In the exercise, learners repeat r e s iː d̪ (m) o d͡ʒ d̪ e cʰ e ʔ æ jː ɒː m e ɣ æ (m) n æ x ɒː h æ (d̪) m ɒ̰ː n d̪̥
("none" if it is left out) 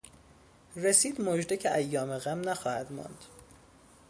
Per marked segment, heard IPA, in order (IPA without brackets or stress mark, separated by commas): m, m, d̪